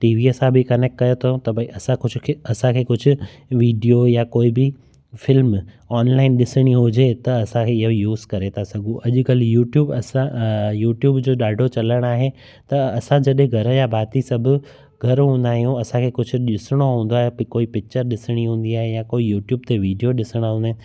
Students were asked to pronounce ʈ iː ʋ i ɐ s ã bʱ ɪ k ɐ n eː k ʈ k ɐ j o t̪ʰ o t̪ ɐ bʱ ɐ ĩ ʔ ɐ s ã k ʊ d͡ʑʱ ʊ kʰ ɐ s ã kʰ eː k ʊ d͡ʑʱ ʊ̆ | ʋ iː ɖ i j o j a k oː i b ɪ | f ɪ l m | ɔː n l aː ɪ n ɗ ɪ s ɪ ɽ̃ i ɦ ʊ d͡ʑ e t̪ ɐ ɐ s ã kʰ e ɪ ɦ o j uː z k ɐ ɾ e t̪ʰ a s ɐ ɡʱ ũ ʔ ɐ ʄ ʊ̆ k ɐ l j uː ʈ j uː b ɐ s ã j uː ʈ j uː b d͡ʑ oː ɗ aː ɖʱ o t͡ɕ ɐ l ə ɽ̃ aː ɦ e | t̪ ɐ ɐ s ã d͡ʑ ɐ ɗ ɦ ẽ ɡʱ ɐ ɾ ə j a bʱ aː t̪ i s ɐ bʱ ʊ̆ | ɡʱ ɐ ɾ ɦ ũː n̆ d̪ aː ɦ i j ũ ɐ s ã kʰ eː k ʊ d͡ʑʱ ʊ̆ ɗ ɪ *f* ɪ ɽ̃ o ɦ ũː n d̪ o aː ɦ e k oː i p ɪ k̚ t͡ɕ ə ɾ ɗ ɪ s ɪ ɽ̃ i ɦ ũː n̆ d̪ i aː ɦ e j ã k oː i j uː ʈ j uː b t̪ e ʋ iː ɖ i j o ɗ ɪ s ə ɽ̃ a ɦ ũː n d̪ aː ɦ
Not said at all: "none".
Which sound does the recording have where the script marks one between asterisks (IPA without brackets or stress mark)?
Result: s